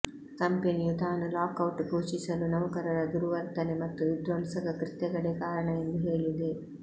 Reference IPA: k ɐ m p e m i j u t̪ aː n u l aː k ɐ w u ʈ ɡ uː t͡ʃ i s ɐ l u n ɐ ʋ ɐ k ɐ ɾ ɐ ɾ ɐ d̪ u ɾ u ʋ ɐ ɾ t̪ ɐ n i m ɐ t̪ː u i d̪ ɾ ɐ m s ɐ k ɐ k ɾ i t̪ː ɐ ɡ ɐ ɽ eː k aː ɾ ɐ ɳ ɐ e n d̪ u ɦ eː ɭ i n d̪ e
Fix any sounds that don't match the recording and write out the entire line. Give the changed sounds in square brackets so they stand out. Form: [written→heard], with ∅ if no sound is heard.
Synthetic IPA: k ɐ m p e [m→n] i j u t̪ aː n u l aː k ɐ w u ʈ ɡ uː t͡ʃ i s ɐ l u n ɐ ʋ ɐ k ɐ ɾ ɐ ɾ ɐ d̪ u ɾ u ʋ ɐ ɾ t̪ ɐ n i m ɐ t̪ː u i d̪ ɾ ɐ m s ɐ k ɐ k ɾ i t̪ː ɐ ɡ ɐ ɽ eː k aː ɾ ɐ ɳ ɐ e n d̪ u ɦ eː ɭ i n d̪ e